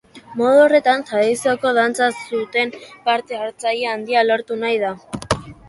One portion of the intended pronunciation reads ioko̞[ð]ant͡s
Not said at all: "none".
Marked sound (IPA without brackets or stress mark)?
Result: ð